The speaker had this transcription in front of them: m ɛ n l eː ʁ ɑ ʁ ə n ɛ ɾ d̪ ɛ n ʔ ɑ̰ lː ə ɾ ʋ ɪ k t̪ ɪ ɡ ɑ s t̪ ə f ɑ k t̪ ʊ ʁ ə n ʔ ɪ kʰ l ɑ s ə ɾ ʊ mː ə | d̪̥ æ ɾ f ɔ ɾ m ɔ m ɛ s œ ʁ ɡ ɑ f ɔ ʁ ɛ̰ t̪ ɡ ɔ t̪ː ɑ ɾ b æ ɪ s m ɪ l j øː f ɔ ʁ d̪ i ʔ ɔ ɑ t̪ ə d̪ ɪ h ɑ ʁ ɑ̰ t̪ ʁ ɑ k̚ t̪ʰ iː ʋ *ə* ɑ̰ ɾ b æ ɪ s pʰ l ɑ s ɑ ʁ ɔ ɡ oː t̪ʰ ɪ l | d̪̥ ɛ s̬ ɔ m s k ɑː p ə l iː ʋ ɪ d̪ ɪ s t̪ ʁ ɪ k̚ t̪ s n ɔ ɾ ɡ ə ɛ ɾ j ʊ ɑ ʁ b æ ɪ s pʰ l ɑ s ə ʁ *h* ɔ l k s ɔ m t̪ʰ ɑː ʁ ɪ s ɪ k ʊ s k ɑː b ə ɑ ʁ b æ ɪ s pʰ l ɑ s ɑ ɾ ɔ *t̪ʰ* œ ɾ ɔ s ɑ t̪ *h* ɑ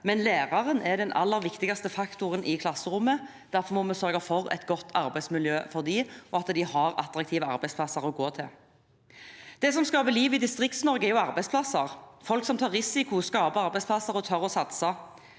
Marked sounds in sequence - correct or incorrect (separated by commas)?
correct, incorrect, correct, incorrect